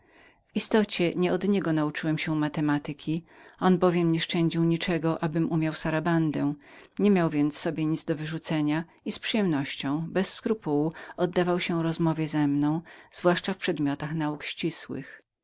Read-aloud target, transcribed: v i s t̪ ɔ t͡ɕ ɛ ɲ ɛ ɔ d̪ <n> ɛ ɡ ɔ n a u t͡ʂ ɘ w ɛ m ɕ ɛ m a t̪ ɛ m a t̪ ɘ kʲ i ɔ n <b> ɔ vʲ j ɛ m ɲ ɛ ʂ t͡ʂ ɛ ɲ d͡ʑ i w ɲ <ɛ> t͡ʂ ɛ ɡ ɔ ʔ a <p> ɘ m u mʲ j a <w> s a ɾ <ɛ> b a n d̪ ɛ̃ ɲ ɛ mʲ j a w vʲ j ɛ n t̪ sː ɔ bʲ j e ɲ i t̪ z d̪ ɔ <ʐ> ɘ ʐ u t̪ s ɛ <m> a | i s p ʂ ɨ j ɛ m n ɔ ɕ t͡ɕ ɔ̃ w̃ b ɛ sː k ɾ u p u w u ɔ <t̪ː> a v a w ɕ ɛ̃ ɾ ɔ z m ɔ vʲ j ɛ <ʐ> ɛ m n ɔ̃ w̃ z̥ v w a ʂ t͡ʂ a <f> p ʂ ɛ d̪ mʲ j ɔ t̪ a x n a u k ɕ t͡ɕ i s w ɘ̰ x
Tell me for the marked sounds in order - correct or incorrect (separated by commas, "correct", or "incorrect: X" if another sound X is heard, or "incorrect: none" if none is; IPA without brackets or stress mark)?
incorrect: ɲ, correct, incorrect: i, incorrect: b, correct, incorrect: a, incorrect: v, incorrect: ɲ, incorrect: d̪ː, incorrect: z, correct